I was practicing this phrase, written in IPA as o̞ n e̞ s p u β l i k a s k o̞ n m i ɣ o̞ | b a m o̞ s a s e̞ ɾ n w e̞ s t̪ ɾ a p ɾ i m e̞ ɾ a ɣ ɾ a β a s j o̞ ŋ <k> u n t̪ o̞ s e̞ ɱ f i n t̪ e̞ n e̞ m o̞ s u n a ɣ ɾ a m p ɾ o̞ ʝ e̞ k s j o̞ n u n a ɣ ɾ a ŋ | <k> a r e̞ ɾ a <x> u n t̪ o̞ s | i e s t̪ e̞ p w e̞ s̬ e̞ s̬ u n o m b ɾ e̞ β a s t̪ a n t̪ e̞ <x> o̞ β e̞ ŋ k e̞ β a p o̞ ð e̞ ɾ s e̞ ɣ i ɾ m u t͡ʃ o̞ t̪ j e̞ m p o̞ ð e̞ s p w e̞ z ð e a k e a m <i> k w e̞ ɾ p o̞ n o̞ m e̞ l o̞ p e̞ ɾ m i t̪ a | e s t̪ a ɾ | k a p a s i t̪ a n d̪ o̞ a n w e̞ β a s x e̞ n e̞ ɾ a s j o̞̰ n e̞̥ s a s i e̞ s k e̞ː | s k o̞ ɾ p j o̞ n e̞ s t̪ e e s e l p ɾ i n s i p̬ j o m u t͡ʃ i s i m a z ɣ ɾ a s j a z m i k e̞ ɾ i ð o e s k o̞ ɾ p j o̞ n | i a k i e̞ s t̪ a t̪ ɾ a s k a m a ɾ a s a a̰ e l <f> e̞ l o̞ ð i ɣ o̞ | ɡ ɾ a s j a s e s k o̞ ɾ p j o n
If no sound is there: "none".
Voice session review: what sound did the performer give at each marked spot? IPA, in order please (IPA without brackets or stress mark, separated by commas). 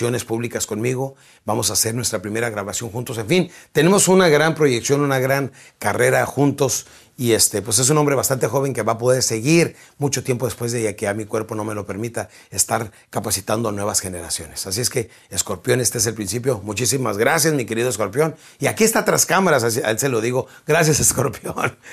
x, k, x, x, i, s